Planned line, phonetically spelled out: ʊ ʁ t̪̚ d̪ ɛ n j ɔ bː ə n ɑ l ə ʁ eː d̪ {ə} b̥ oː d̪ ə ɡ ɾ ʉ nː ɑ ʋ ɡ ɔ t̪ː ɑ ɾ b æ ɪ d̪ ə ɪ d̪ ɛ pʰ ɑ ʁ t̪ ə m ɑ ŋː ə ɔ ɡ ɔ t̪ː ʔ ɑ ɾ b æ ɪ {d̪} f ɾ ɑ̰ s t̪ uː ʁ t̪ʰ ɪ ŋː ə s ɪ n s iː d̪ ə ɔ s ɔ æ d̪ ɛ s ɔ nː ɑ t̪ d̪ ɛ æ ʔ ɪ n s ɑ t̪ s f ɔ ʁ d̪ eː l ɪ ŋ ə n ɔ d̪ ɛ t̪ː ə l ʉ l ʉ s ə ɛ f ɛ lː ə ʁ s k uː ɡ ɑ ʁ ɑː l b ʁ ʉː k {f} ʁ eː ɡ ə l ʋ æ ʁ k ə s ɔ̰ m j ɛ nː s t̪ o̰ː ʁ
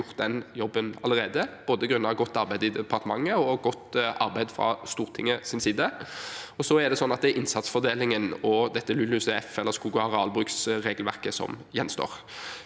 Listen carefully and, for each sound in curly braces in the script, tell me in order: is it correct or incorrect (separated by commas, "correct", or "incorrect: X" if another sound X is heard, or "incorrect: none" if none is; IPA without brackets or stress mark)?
correct, correct, incorrect: s